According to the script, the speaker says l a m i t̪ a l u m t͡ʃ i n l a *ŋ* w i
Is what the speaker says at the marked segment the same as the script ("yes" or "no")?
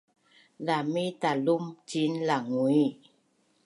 yes